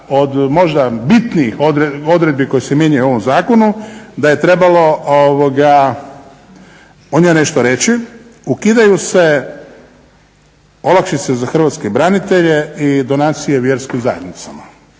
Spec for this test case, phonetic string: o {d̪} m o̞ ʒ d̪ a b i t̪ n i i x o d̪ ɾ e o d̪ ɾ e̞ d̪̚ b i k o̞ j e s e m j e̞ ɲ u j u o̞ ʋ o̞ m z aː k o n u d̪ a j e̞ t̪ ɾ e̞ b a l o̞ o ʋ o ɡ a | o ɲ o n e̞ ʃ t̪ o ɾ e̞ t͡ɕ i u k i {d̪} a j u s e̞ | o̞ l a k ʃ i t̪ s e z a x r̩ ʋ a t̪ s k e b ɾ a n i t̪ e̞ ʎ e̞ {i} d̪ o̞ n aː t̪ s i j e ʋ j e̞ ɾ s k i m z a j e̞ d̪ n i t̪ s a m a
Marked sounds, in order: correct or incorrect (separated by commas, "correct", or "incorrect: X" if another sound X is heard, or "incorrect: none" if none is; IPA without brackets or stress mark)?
correct, correct, correct